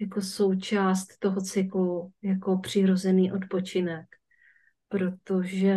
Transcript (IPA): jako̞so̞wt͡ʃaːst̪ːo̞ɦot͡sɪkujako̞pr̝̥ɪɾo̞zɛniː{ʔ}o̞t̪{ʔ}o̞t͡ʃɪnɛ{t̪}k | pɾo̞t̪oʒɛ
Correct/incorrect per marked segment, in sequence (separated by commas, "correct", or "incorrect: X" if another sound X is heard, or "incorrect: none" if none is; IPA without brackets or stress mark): correct, incorrect: p, incorrect: none